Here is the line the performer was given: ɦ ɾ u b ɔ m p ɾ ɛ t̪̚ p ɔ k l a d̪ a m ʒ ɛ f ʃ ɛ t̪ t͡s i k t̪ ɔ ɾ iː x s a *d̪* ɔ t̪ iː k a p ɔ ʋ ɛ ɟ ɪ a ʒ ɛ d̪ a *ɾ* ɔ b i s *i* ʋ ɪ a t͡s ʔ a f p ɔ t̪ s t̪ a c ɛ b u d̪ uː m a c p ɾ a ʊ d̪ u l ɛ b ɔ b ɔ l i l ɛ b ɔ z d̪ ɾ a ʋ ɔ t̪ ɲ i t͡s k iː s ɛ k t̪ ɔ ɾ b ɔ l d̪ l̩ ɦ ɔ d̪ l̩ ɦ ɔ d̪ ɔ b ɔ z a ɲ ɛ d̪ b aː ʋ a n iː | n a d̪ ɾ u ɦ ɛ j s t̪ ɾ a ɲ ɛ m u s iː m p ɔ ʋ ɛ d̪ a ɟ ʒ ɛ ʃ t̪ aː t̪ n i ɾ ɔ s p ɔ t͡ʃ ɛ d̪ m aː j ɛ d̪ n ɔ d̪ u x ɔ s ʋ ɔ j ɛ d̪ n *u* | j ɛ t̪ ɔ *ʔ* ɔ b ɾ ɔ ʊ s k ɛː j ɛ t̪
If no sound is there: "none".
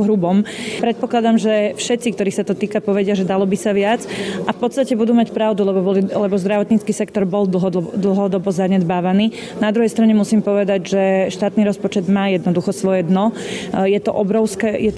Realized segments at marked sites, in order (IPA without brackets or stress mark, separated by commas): t̪, l, a, ɔ, ʔ